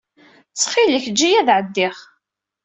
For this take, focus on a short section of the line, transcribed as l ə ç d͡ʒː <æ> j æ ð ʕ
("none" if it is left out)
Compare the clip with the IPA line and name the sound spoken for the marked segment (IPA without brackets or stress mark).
i